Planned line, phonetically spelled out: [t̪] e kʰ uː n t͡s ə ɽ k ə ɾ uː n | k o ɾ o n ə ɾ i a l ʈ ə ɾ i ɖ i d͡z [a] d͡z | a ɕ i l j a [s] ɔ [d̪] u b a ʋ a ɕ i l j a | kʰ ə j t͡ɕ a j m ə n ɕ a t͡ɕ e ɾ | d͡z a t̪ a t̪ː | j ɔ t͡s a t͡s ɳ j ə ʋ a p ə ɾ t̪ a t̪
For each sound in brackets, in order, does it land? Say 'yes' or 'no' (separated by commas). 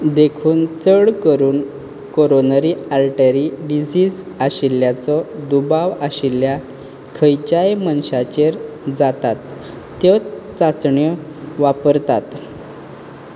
no, no, no, yes